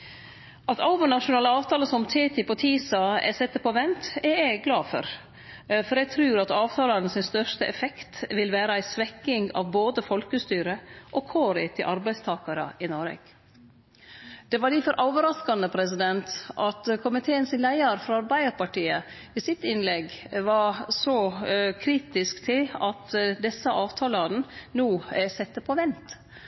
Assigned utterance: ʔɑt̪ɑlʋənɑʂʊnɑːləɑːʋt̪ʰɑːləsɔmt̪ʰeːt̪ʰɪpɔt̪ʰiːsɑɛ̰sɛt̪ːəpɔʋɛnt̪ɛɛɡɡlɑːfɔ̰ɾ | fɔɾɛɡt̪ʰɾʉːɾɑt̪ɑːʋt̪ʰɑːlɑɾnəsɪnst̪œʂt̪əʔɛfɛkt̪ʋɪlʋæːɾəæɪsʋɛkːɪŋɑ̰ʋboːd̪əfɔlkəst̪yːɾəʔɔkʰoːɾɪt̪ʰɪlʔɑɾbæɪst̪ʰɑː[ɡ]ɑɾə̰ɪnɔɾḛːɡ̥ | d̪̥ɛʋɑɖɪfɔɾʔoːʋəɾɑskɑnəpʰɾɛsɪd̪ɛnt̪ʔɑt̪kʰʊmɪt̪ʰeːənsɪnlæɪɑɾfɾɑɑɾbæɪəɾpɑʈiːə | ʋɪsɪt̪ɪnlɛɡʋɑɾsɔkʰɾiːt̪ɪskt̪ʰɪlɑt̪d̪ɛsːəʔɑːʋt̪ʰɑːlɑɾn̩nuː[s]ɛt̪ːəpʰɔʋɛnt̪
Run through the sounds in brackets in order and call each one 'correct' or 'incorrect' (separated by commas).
incorrect, correct